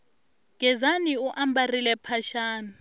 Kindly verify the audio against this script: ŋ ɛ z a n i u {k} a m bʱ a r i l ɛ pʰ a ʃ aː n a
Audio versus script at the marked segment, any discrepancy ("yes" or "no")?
yes